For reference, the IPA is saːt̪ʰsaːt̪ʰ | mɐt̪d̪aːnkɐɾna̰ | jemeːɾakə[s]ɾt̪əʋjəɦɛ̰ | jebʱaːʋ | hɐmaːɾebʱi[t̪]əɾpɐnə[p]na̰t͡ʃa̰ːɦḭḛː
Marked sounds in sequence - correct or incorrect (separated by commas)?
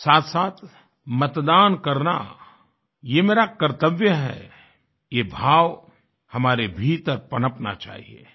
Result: incorrect, correct, correct